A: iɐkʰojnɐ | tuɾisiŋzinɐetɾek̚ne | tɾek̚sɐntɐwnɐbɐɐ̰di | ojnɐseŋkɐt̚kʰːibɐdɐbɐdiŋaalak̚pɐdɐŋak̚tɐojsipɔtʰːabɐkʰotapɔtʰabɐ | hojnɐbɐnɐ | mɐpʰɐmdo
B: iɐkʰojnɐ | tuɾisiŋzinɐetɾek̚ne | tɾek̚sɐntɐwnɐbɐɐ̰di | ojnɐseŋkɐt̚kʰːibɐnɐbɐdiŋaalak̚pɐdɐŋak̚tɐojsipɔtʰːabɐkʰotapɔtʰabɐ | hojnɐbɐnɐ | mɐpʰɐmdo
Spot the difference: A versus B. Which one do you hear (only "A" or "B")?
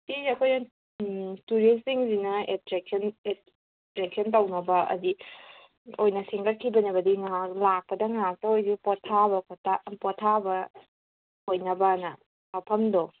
B